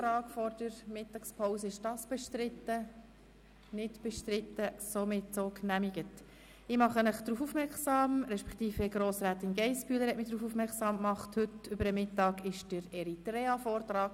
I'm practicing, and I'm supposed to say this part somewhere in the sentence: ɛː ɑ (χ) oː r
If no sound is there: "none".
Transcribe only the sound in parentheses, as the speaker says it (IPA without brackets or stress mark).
f